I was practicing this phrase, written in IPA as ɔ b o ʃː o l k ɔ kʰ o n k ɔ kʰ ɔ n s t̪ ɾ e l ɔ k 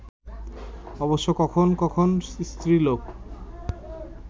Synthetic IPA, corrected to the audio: ɔ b o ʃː o k ɔ kʰ o n k ɔ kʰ o n s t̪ ɾ i l o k